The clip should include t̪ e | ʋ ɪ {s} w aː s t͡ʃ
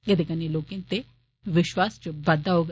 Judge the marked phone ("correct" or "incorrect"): incorrect